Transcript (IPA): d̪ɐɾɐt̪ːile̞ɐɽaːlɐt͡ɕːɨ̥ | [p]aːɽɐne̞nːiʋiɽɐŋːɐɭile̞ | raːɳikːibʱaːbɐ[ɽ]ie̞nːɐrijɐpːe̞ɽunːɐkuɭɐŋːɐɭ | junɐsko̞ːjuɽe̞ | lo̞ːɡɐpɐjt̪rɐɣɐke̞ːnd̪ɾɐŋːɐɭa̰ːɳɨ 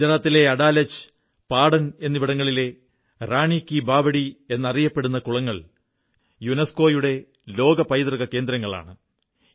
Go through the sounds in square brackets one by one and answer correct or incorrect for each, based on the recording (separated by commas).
correct, correct